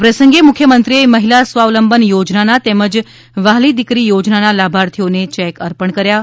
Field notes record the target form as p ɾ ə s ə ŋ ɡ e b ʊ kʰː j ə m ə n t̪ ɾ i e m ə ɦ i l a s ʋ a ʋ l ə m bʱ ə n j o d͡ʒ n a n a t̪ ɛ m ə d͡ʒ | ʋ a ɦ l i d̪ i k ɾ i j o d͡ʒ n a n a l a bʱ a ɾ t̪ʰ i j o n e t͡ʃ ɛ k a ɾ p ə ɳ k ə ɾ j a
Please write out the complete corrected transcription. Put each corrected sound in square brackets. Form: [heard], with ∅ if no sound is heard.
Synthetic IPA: p ɾ ə s ə ŋ ɡ e [m] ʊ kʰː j ə m ə n t̪ ɾ i e m ə ɦ i l a s ʋ a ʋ l ə m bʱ ə n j o d͡ʒ n a n a t̪ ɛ m ə d͡ʒ | ʋ a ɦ l i d̪ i k ɾ i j o d͡ʒ n a n a l a bʱ a ɾ t̪ʰ i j o n e t͡ʃ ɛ k [ə] ɾ p ə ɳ k ə ɾ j a